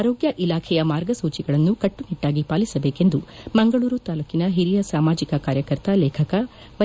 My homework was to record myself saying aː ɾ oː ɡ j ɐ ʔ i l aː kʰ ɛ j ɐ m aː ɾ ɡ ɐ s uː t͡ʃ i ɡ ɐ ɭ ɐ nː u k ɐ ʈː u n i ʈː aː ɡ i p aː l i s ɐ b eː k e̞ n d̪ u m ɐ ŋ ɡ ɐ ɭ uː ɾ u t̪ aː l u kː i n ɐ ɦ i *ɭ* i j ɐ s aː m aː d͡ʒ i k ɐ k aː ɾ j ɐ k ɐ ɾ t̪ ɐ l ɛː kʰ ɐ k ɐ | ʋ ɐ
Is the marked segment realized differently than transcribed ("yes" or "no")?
yes